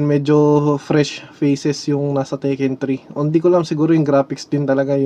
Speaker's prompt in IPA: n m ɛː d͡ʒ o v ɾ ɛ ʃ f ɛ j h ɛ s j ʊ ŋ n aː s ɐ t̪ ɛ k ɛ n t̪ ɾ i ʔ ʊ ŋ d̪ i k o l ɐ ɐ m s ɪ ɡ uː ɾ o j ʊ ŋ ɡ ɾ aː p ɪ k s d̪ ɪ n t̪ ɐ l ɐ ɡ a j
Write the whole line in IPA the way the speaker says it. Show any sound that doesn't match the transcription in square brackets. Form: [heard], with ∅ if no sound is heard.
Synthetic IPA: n m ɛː d͡ʒ o [f] ɾ ɛ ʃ f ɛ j [s] ɛ s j ʊ ŋ n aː s ɐ t̪ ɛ k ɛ n t̪ ɾ i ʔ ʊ [n] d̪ i k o l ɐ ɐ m s ɪ ɡ uː ɾ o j ʊ ŋ ɡ ɾ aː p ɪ k s d̪ ɪ n t̪ ɐ l ɐ ɡ a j